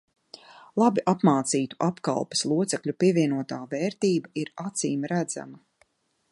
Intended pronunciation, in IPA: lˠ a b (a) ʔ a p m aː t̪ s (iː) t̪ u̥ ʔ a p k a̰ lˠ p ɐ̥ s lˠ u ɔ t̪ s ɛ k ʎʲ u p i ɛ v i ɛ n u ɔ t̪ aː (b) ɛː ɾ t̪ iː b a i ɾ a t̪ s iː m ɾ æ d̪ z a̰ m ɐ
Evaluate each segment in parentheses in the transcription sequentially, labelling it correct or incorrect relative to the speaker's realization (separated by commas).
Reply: incorrect, correct, incorrect